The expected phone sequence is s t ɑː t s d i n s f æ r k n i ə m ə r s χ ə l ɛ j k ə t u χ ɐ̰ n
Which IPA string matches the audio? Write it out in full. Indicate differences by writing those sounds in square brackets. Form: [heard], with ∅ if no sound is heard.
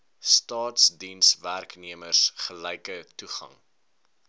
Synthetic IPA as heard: s t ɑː t s d i n s [v] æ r k n i ə m ə r s χ ə l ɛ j k ə t u χ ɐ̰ [ŋ]